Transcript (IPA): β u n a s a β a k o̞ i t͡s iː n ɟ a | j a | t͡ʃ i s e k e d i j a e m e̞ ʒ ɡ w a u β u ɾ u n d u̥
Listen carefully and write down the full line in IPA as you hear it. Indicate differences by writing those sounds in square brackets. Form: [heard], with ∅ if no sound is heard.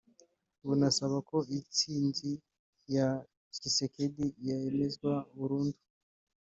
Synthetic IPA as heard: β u n a s a β a k o̞ i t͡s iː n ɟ [i] | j a | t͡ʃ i s e k e d i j a e m e̞ [z] ɡ w a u β u ɾ [uː] n d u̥